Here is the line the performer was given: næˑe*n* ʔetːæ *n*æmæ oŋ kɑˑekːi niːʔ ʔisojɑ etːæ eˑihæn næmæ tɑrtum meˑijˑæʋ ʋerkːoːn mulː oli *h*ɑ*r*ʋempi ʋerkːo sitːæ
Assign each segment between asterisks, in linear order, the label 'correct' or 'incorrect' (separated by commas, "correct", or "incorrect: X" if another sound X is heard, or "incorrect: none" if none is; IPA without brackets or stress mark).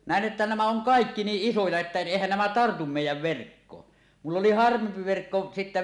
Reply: correct, correct, correct, correct